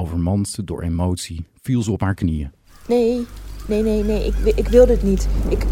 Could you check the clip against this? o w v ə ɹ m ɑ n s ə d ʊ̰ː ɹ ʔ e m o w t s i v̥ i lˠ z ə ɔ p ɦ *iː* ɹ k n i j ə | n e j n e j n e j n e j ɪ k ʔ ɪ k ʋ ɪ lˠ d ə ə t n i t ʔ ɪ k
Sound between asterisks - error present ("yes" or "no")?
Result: yes